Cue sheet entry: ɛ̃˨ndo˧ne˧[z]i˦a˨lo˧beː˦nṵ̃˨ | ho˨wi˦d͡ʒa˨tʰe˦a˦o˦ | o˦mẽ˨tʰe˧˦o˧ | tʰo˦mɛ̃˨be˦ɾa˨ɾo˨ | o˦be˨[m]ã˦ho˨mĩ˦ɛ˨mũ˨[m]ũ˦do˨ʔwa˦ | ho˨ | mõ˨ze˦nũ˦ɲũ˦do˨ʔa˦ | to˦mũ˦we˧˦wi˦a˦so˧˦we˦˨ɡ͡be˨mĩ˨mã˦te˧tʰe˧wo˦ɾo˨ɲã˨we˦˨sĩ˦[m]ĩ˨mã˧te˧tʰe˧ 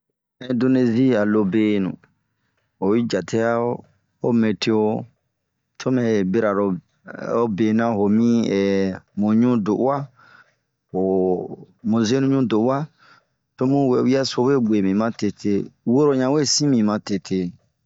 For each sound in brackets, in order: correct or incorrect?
correct, incorrect: n, incorrect: ɲ, correct

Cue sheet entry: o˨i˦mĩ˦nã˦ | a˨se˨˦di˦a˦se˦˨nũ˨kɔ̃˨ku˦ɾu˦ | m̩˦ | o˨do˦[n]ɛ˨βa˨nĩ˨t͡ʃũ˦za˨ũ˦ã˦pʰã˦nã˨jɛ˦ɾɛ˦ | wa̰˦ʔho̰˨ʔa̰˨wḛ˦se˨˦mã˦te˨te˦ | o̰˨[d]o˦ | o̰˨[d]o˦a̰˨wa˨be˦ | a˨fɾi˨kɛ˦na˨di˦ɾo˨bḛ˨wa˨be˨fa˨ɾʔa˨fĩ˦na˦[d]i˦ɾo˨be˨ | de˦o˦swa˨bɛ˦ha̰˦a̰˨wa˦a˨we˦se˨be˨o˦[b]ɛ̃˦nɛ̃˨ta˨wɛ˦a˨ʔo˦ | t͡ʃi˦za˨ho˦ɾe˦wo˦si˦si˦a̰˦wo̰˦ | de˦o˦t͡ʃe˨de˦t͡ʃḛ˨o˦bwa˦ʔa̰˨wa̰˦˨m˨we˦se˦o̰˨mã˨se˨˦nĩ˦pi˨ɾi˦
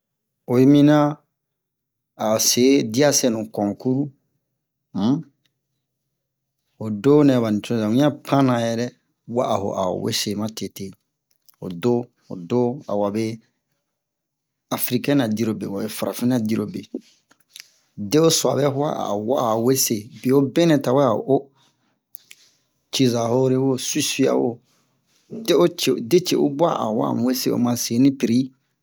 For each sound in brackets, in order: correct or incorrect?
correct, correct, correct, correct, correct

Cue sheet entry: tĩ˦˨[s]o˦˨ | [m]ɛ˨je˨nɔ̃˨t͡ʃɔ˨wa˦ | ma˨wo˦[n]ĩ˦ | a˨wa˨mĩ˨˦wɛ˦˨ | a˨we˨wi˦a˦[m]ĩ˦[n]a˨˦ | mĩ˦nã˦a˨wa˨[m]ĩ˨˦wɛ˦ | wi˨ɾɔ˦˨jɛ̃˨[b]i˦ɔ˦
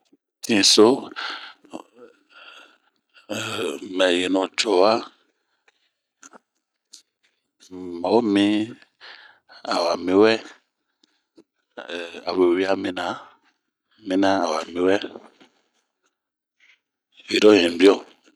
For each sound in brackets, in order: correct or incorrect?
correct, correct, incorrect: m, correct, correct, correct, correct

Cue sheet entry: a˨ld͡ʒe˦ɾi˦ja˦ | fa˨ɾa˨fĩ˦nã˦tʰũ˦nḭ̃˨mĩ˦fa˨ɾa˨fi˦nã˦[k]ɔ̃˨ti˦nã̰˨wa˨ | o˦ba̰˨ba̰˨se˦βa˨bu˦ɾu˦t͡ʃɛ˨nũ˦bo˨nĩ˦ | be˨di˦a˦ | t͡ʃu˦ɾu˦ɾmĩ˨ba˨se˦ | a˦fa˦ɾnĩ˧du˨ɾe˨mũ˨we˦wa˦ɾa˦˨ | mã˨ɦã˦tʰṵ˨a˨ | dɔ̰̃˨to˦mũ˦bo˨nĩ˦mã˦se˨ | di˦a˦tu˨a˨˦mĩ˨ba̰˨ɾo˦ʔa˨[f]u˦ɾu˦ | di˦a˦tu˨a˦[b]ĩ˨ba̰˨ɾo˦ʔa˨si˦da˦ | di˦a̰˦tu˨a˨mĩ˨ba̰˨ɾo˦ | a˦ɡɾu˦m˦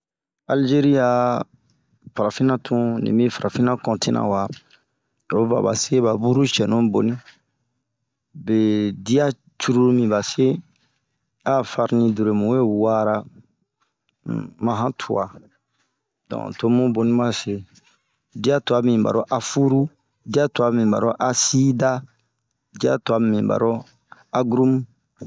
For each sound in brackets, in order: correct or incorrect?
correct, correct, incorrect: m

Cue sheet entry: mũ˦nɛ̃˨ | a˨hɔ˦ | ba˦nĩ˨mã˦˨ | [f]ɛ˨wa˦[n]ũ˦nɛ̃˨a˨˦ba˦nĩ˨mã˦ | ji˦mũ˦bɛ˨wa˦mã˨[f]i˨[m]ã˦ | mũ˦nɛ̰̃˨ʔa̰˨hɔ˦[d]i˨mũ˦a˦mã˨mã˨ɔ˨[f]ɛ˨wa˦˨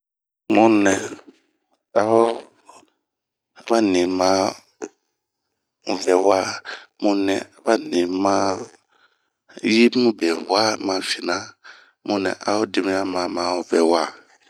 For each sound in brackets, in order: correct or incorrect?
incorrect: v, incorrect: m, correct, incorrect: n, correct, incorrect: v

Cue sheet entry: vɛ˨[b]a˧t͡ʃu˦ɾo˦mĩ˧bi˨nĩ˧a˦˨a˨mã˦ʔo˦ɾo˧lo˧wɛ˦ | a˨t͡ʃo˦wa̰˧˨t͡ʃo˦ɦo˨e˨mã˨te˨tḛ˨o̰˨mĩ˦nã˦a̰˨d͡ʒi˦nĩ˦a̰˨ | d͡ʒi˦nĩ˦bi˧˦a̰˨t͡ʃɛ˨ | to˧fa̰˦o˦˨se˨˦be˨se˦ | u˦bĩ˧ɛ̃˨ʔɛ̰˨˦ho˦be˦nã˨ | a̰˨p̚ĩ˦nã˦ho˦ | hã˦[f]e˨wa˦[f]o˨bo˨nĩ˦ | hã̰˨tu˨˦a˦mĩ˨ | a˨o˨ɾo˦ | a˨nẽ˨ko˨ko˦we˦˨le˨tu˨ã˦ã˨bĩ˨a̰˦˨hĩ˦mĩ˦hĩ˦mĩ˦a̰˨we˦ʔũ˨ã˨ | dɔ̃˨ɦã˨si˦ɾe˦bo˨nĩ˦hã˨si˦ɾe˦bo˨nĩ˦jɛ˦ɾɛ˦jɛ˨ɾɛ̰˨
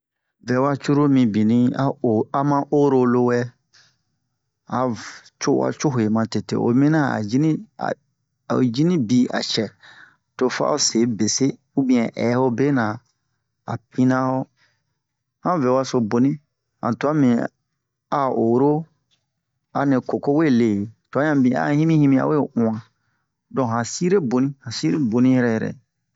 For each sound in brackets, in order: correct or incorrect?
incorrect: w, incorrect: v, incorrect: s

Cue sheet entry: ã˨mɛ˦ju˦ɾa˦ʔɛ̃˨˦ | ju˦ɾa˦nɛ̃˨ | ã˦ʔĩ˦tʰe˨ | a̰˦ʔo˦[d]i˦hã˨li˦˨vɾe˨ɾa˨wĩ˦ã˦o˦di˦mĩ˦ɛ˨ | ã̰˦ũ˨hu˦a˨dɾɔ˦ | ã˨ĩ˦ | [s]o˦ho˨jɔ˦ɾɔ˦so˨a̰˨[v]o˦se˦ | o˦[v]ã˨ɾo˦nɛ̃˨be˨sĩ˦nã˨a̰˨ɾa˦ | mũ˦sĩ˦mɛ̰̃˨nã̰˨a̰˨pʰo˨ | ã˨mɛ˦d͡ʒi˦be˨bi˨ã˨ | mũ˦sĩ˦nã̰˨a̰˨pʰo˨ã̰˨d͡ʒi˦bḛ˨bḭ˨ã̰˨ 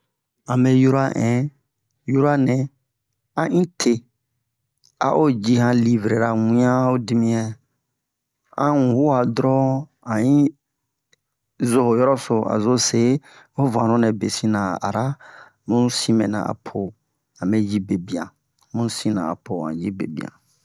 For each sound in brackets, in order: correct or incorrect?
incorrect: d͡ʒ, incorrect: z, incorrect: z, correct

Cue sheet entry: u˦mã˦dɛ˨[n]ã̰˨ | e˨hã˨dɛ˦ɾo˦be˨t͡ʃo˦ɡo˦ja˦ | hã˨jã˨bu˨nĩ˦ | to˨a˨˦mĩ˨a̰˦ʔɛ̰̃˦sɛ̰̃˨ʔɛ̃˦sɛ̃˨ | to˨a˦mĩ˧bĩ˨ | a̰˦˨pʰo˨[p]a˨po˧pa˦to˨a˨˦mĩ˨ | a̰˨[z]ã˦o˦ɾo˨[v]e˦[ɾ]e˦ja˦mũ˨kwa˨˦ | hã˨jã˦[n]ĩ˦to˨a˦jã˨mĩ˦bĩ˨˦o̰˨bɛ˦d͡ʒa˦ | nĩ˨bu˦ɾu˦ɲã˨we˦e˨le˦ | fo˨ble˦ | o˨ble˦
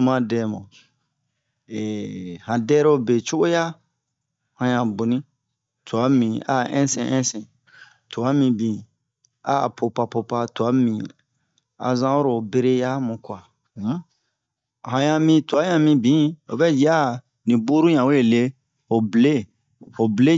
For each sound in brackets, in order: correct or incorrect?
incorrect: m, correct, correct, incorrect: b, correct, incorrect: m

